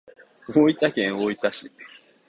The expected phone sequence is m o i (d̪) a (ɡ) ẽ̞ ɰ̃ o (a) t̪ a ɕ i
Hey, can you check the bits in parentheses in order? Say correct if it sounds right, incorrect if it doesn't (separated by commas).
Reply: incorrect, incorrect, incorrect